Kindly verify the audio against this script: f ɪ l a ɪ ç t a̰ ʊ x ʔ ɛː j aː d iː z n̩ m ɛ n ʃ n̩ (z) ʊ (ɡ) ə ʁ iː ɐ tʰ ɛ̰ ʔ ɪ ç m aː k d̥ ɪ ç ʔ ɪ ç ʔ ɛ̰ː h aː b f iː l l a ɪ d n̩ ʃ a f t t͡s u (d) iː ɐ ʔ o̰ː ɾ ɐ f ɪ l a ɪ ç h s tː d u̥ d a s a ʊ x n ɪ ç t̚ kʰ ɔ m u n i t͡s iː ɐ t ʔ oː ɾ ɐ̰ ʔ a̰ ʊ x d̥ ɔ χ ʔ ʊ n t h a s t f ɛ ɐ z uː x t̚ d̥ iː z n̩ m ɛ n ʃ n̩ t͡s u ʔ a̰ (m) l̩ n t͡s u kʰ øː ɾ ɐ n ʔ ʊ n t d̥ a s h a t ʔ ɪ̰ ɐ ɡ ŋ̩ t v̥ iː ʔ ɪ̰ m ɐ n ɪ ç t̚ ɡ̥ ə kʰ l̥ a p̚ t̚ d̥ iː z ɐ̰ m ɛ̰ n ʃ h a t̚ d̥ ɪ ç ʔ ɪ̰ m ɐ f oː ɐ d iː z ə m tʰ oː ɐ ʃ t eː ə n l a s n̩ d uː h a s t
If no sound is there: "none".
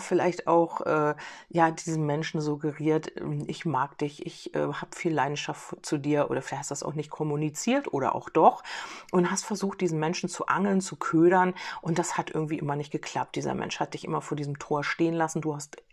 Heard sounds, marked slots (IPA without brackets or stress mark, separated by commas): z, ɡ, d, ŋ